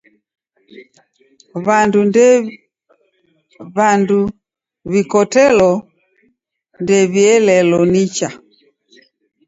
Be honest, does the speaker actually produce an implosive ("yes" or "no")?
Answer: no